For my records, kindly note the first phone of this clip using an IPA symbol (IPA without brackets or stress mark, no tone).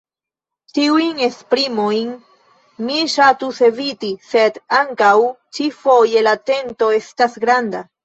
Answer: t